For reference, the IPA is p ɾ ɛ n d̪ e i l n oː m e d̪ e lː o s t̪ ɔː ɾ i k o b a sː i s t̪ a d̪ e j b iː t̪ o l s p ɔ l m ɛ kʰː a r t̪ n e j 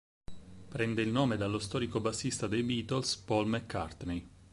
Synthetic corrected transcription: p ɾ ɛ n d̪ e i l n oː m e d̪ a lː o s t̪ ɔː ɾ i k o b a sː i s t̪ a d̪ e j b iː t̪ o l s p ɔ l m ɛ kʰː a r t̪ n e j